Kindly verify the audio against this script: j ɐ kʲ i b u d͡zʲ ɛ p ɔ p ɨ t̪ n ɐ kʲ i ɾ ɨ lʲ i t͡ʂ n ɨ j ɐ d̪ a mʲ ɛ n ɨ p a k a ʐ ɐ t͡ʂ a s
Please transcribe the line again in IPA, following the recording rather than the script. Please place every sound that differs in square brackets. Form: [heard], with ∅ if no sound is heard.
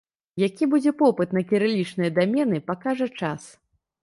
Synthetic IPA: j [a] kʲ i b u d͡zʲ ɛ p ɔ p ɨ t̪ n ɐ kʲ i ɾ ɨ lʲ i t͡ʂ n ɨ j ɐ d̪ a mʲ ɛ n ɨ p a k a ʐ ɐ t͡ʂ a s